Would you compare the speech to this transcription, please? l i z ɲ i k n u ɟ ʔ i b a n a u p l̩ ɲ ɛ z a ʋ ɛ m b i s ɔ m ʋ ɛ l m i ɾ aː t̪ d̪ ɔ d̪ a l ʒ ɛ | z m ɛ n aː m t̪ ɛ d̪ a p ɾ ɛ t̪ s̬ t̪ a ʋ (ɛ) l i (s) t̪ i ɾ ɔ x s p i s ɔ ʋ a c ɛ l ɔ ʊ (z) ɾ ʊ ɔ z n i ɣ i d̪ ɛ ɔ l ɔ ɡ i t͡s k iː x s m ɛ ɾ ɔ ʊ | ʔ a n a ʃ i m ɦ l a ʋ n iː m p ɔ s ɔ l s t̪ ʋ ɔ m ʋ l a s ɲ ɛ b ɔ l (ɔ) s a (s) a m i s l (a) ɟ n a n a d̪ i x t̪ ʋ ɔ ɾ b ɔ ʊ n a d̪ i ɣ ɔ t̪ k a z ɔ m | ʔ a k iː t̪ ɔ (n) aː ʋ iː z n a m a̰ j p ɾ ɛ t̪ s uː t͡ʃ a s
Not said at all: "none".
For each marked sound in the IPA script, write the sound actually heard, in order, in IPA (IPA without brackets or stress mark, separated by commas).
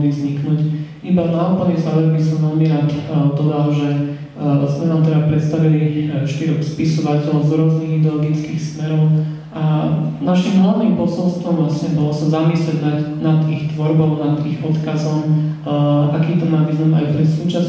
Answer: i, ʃ, z, ɔ, z, ɛ, m